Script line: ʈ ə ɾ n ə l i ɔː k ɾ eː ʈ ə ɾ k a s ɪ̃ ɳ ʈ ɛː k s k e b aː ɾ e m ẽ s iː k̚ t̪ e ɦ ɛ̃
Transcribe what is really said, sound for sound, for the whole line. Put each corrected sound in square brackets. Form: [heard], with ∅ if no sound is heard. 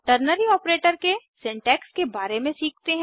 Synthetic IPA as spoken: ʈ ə ɾ n ə [ɾ] i ɔː [p] ɾ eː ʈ ə ɾ k [e] s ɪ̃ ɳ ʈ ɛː k s k e b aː ɾ e m ẽ s iː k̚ t̪ e ɦ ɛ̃